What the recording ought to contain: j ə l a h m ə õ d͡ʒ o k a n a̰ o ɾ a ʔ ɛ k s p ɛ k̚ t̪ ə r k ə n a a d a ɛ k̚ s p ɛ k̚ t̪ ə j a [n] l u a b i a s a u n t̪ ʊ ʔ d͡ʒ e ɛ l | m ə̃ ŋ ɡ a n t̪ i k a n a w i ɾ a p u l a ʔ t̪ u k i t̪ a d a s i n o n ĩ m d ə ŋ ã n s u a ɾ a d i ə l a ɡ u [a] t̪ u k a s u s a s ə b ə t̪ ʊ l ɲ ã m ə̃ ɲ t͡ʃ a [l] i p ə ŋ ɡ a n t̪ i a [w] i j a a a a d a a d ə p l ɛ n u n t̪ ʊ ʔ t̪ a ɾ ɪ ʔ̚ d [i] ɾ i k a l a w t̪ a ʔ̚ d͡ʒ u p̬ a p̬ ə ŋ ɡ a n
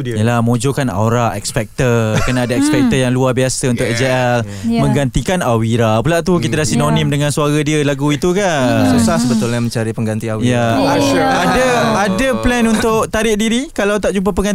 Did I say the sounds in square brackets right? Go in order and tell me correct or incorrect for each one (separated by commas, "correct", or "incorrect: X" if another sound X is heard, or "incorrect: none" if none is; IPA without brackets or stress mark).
incorrect: ŋ, incorrect: i, incorrect: ɾ, correct, correct